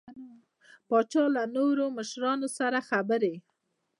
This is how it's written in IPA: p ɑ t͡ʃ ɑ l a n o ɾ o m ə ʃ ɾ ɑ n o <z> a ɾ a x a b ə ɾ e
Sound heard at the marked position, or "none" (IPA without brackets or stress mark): s